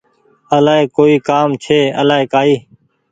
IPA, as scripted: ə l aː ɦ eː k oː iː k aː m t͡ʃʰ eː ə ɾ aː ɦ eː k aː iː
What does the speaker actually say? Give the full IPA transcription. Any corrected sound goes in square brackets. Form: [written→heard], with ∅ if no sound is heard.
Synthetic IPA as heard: ə l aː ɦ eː k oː iː k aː m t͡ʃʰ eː ə [ɾ→l] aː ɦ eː k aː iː